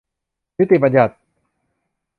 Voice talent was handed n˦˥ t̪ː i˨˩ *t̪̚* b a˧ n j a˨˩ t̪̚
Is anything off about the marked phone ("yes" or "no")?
yes